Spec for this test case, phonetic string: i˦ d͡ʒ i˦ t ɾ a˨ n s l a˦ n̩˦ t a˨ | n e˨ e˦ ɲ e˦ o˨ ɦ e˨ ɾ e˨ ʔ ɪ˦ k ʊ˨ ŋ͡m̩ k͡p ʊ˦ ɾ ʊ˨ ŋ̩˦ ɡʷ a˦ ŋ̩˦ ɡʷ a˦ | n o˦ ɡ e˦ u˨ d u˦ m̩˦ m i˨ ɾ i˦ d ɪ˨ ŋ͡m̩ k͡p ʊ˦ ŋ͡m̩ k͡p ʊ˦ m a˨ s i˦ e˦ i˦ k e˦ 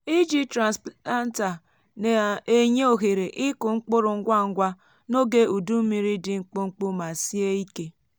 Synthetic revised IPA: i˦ d͡ʒ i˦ t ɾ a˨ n s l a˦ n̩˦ t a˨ | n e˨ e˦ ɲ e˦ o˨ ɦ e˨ ɾ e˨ ʔ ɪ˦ k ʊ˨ ŋ͡m̩ k͡p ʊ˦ ɾ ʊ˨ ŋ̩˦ ɡʷ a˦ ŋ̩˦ ɡʷ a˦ | n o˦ ɡ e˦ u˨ d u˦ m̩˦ m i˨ ɾ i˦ d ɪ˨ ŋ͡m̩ k͡p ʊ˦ ŋ͡m̩ k͡p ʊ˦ m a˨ s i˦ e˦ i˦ k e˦